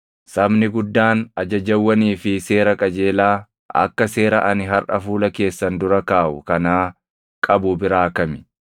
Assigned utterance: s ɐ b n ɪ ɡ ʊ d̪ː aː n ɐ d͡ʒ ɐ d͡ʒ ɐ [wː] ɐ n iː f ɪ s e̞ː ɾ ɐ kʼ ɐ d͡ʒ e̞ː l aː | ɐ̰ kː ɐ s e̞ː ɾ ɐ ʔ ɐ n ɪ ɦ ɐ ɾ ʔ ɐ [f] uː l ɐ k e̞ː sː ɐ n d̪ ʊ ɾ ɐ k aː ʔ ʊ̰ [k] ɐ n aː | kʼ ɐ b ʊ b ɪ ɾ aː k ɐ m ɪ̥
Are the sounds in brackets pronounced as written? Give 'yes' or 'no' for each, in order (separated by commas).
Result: yes, yes, yes